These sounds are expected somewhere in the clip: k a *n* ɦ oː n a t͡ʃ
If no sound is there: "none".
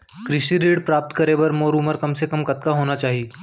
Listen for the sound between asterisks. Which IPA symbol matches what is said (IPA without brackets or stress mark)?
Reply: none